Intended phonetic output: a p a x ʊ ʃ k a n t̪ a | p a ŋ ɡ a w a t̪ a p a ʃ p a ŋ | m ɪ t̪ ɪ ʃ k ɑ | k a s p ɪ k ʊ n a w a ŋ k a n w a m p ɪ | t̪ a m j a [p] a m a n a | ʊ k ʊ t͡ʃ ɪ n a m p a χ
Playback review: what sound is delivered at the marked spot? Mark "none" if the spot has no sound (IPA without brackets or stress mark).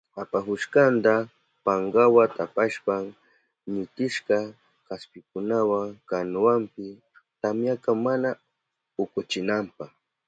k